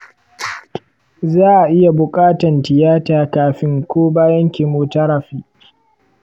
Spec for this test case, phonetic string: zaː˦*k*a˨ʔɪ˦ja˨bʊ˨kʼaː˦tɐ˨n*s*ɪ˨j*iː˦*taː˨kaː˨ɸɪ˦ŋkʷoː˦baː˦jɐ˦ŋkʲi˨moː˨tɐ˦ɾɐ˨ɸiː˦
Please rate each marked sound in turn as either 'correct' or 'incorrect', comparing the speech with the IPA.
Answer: incorrect: ʔ, incorrect: t, incorrect: aː˦

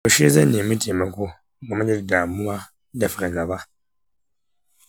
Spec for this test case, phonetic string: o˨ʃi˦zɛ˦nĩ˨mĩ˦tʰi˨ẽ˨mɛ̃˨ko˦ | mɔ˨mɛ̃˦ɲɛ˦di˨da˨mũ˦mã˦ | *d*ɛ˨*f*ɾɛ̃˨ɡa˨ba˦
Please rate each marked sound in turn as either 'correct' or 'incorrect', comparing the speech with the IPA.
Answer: correct, correct

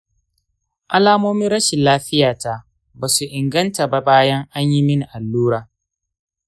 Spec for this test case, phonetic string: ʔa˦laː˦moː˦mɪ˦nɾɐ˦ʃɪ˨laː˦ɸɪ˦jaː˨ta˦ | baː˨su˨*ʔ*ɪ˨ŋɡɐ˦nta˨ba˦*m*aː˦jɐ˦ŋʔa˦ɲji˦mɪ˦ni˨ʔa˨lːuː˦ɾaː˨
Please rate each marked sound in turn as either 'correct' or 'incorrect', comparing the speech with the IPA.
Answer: correct, incorrect: b

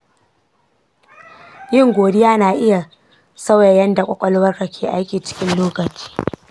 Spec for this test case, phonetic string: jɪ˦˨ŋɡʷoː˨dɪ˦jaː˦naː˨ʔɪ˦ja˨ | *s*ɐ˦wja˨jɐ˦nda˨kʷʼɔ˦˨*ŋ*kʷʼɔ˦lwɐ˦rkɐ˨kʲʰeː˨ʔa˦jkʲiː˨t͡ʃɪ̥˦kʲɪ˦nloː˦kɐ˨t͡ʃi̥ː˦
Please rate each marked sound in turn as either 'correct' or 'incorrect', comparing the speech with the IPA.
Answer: correct, incorrect: none

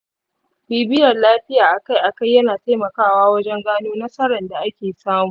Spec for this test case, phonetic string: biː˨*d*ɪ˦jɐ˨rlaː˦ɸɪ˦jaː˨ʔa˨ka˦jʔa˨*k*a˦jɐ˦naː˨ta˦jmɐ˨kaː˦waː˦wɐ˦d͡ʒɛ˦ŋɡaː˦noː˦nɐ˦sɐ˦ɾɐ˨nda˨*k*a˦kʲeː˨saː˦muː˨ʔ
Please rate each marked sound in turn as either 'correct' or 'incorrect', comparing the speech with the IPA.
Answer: incorrect: b, correct, incorrect: ʔ

